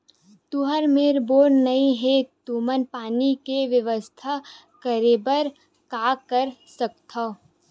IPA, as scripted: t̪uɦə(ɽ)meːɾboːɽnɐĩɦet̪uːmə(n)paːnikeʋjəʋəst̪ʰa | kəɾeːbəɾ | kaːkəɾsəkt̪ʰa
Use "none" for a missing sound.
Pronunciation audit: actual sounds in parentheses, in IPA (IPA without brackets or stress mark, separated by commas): ɾ, n